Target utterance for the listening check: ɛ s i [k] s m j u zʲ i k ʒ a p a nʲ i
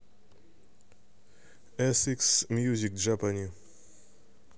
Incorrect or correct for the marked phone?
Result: correct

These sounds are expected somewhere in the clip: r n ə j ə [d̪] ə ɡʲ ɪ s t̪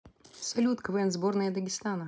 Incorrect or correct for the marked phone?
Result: correct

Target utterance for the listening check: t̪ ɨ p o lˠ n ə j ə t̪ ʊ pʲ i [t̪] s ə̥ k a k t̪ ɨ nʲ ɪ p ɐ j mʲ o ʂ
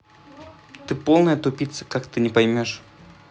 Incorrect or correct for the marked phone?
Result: correct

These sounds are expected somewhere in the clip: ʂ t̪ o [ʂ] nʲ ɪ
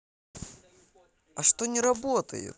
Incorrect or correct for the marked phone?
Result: incorrect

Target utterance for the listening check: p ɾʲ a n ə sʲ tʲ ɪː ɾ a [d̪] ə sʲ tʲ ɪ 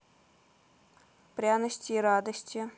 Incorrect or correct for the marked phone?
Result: correct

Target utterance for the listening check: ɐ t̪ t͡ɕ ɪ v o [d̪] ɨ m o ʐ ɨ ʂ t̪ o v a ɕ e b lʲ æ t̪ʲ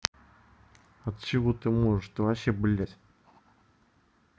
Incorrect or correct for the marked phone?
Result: incorrect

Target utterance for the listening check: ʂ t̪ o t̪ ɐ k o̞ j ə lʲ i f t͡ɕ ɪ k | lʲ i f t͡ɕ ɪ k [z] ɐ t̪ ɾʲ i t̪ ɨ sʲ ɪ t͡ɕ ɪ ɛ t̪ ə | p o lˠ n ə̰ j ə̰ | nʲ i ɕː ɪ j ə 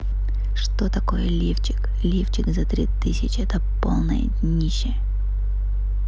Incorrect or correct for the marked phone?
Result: correct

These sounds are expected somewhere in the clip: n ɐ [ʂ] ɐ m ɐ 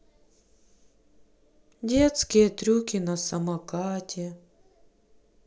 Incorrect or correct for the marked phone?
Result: incorrect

